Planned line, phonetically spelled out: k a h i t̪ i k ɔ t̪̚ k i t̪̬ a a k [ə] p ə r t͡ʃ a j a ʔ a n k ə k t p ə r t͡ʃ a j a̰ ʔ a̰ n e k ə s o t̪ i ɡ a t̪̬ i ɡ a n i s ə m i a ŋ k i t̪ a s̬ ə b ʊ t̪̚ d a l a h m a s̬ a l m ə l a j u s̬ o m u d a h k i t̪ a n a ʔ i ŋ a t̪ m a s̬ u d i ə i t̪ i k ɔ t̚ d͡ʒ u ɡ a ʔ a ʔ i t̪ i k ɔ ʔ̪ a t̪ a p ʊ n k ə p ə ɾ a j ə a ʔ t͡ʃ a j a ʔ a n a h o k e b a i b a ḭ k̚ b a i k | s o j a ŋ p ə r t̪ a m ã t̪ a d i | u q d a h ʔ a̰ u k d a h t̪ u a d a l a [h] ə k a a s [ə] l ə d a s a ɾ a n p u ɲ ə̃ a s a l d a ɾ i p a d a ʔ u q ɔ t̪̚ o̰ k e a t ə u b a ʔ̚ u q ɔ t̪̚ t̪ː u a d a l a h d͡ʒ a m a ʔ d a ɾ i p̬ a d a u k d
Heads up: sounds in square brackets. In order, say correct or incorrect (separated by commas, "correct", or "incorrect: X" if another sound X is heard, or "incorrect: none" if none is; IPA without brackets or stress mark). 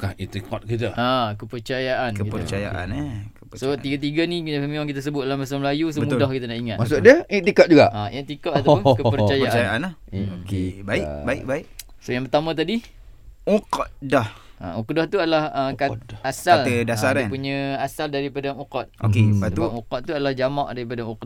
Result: correct, correct, incorrect: a